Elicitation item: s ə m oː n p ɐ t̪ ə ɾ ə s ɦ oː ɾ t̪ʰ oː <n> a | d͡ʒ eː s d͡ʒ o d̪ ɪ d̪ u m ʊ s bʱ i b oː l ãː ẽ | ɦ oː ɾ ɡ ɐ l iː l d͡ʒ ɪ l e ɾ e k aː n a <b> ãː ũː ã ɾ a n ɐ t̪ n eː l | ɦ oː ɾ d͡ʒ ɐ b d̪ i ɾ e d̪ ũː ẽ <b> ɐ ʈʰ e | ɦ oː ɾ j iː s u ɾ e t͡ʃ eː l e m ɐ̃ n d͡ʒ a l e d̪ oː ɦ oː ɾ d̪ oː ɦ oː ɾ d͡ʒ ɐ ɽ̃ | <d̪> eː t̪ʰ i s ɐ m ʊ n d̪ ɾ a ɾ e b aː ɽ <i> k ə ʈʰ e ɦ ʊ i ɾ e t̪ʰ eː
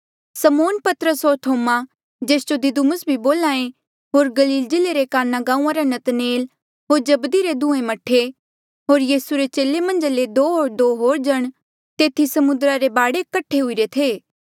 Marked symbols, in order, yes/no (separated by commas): no, no, no, no, no